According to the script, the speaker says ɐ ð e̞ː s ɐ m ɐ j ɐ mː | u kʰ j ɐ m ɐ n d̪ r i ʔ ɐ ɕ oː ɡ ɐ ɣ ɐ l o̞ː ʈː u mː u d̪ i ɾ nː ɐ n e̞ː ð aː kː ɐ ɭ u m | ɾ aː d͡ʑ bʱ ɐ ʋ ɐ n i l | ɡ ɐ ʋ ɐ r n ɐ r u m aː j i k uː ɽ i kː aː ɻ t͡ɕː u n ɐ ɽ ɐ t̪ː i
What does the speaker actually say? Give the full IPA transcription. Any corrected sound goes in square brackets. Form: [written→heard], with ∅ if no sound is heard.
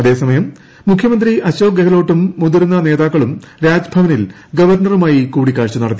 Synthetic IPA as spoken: ɐ ð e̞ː s ɐ m ɐ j ɐ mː | u kʰ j ɐ m ɐ n d̪ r i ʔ ɐ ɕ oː ɡ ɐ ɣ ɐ l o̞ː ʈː u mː u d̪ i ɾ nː ɐ n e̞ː ð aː kː ɐ ɭ u m | ɾ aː d͡ʑ bʱ ɐ ʋ ɐ n i l | ɡ ɐ ʋ ɐ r n ɐ r u m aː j i k uː ɽ i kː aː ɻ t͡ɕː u n ɐ ɽ ɐ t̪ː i